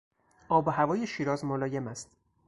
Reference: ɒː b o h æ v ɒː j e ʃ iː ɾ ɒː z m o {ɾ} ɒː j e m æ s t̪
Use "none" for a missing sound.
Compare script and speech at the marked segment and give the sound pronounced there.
l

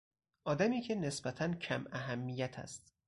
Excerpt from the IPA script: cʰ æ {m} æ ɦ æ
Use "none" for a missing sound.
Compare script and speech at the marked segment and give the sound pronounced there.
m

